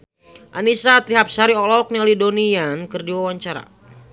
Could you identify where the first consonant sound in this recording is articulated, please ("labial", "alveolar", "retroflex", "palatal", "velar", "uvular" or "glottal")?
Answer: glottal